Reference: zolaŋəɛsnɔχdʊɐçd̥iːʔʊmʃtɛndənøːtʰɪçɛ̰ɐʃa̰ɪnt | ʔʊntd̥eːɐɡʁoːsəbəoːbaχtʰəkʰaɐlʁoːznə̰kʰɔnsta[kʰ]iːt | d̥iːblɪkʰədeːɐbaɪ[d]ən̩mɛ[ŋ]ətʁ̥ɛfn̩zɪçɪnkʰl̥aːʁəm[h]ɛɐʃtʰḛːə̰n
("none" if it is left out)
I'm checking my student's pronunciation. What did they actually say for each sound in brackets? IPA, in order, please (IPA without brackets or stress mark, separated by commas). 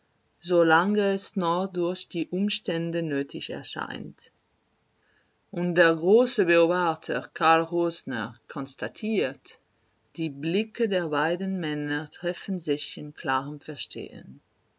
tʰ, d, n, f